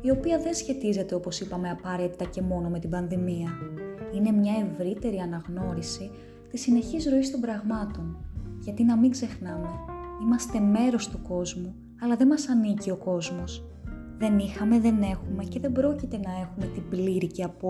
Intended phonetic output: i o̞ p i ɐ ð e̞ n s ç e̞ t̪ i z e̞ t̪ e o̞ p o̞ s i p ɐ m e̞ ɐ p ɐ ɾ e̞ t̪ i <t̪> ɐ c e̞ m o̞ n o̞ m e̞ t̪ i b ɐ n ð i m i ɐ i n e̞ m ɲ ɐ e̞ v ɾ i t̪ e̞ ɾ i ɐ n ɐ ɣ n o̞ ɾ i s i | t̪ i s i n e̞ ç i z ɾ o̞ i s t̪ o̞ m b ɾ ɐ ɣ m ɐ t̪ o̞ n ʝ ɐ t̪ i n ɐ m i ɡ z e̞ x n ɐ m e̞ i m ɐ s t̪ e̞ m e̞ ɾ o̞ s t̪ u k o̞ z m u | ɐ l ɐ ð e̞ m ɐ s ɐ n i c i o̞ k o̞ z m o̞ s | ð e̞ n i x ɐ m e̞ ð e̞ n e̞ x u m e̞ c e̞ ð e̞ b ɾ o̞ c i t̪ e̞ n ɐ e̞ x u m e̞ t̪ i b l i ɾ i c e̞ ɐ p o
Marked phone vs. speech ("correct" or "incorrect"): correct